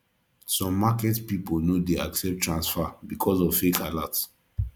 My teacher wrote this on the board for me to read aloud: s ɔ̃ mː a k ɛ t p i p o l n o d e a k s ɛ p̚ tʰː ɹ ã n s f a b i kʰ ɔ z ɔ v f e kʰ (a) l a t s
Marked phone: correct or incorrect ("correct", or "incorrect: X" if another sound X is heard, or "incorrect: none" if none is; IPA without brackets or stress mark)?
correct